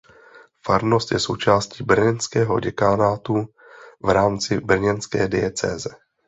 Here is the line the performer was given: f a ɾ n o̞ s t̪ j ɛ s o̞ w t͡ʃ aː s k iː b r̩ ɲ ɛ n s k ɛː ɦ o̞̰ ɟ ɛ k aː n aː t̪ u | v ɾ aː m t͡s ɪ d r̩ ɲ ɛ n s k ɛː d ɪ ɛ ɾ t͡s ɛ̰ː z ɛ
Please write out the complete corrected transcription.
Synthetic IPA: f a ɾ n o̞ s t̪ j ɛ s o̞ w t͡ʃ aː s c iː b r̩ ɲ ɛ n s k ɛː ɦ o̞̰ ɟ ɛ k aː n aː t̪ u | v ɾ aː m t͡s ɪ b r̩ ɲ ɛ n s k ɛː d ɪ ɛ t͡s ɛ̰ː z ɛ